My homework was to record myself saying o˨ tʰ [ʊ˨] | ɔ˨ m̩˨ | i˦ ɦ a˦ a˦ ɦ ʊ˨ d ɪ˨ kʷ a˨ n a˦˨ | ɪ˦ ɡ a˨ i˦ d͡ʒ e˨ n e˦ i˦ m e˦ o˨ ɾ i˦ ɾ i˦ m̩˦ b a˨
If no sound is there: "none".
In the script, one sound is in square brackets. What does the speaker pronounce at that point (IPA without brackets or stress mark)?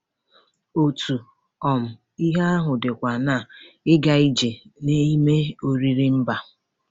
u˨